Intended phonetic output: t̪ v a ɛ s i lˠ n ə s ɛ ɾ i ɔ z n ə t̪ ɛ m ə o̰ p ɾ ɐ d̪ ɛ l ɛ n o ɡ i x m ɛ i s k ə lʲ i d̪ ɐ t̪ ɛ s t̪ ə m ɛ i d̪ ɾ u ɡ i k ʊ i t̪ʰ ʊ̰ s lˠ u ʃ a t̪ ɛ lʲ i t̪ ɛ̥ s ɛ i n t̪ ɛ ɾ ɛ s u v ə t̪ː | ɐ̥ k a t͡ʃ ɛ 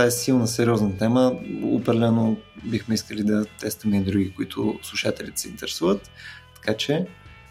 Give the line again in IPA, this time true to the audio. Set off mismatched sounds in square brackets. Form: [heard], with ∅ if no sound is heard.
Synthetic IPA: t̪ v a ɛ s i lˠ n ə s ɛ ɾ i ɔ z n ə t̪ ɛ m ə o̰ p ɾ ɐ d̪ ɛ l ɛ n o [b] i x m ɛ i s k ə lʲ i d̪ ɐ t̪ ɛ s t̪ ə m ɛ i d̪ ɾ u ɡ i k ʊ i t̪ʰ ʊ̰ s lˠ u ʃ a t̪ ɛ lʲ i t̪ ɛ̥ s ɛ i n t̪ ɛ ɾ ɛ s u v ə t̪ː | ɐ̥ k a t͡ʃ ɛ